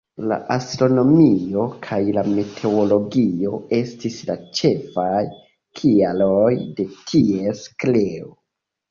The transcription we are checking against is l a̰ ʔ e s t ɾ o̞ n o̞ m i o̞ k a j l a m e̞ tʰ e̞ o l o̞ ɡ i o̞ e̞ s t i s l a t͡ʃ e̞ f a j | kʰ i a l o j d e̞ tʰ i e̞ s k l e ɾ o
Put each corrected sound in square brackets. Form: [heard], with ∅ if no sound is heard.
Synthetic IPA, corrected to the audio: l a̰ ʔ [a] s t ɾ o̞ n o̞ m i o̞ [kʰ] a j l a m e̞ tʰ e̞ o l o̞ ɡ i o̞ e̞ s t i s l a t͡ʃ e̞ f a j | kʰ i a l o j d e̞ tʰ i e̞ s k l e [∅] o

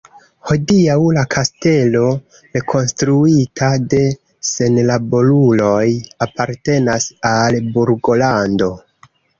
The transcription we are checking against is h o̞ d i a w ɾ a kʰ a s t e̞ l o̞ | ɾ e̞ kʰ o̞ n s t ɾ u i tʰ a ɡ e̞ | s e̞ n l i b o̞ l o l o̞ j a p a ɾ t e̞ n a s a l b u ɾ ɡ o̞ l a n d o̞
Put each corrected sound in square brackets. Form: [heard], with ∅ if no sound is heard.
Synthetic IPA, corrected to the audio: h o̞ d i a w [l] a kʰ a s t e̞ l o̞ | ɾ e̞ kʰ o̞ n s t ɾ u i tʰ a [d] e̞ | s e̞ n l [a] b o̞ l [u] l o̞ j a p a ɾ t e̞ n a s a l b u ɾ ɡ o̞ l a n d o̞

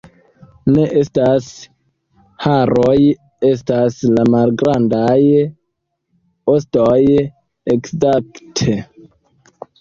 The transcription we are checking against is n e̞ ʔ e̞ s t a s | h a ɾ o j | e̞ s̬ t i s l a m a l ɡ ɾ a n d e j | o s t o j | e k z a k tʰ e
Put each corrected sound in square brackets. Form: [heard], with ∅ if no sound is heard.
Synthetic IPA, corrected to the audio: n e̞ ʔ e̞ s t a s | h a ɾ o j | e̞ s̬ t [a] s l a m a l ɡ ɾ a n d [a] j | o s t o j | e k z a k tʰ e

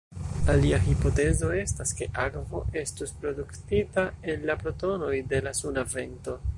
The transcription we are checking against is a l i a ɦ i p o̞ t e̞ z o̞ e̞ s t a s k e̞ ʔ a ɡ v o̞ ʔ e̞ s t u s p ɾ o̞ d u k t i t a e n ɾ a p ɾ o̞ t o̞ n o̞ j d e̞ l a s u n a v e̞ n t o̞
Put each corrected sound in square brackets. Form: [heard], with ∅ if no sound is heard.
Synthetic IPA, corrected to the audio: a l i a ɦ i p o̞ t e̞ z o̞ e̞ s t a s k e̞ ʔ a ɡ v o̞ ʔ e̞ s t u s p ɾ o̞ d u k t i t a e n [l] a p ɾ o̞ t o̞ n o̞ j d e̞ l a s u n a v e̞ n t o̞

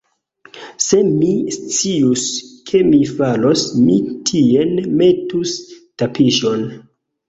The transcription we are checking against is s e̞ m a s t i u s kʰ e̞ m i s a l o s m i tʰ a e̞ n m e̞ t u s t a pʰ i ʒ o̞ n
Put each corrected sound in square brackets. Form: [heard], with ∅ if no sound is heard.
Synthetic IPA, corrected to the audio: s e̞ m [i] s [t͡s] i u s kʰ e̞ m i [f] a l o s m i tʰ [i] e̞ n m e̞ t u s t a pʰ i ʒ o̞ n

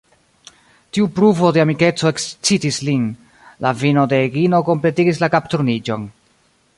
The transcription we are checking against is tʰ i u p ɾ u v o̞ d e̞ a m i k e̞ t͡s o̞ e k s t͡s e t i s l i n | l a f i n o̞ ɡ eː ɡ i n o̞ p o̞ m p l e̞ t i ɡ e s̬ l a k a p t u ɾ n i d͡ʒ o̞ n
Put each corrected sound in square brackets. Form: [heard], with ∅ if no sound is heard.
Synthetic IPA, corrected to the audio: [t] i u p ɾ u v o̞ d e̞ a m i k e̞ t͡s o̞ e k s t͡s [i] t i s l i n | l a [v] i n o̞ [d] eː ɡ i n o̞ [k] o̞ m p l e̞ t i ɡ [i] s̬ l a k a p t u ɾ n i d͡ʒ o̞ n

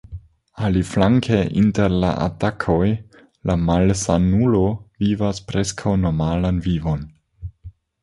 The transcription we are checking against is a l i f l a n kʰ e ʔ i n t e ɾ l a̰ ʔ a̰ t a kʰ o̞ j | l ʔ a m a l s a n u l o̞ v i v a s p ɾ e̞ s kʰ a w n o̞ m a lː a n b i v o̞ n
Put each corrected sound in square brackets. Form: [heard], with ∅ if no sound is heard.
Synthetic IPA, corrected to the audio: a l i f l a [ŋ] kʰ e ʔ i n t e ɾ l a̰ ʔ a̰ t a kʰ o̞ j | l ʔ a m a l s a n u l o̞ v i v a s p ɾ e̞ s kʰ a w n o̞ m a [l] a n [v] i v o̞ n

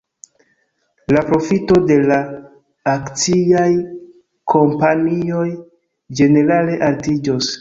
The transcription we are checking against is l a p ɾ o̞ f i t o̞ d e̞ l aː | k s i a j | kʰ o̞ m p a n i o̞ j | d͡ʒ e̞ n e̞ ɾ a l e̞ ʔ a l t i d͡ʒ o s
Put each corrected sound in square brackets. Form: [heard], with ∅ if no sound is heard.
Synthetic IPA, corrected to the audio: l a p ɾ o̞ f i t o̞ d e̞ l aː | k [t͡s] i a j | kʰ o̞ m p a n i o̞ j | d͡ʒ e̞ n e̞ ɾ a l e̞ ʔ a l t i d͡ʒ o s

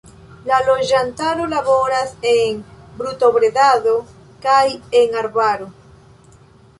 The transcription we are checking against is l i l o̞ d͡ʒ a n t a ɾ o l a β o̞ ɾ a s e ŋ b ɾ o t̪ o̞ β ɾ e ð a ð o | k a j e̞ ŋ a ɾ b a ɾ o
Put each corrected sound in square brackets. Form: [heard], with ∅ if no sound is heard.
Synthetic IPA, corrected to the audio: l [a] l o̞ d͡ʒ a n t a ɾ o l a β o̞ ɾ a s e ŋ b ɾ [u] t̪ o̞ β ɾ e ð a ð o | k a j e̞ ŋ a ɾ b a ɾ o

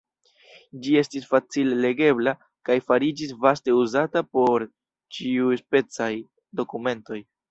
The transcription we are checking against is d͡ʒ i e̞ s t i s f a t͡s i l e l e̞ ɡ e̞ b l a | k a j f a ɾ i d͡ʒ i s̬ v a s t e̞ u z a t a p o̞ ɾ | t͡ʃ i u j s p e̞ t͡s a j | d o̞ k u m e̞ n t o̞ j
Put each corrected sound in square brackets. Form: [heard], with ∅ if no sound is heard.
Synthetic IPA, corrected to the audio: d͡ʒ i e̞ s t i s f a t͡s i l e l e̞ ɡ e̞ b l a | k a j f a ɾ i d͡ʒ i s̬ v a s t e̞ u z a t a p o̞ ɾ | t͡ʃ i u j s p e̞ t͡s a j | d o̞ k u m e̞ n t o̞ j

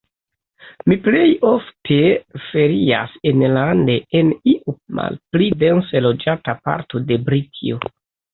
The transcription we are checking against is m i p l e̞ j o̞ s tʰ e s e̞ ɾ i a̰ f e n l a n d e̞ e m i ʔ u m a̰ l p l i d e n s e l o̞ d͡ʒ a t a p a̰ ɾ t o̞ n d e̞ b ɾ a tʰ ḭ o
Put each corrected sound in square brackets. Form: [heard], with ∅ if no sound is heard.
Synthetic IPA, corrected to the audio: m i p l e̞ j o̞ [f] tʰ e [f] e̞ ɾ i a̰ [s] e n l a n d e̞ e [n] i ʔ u m a̰ l p l i d e n s e l o̞ d͡ʒ a t a p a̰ ɾ t o̞ [∅] d e̞ b ɾ [i] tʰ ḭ o

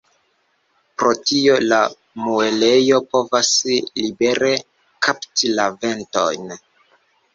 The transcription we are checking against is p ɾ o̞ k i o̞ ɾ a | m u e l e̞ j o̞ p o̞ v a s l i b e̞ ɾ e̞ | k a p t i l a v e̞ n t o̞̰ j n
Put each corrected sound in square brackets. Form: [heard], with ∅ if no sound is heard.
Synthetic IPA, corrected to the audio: p ɾ o̞ [t] i o̞ [l] a | m u e l e̞ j o̞ p o̞ v a s l i b e̞ ɾ e̞ | k a p t i l a v e̞ n t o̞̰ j n

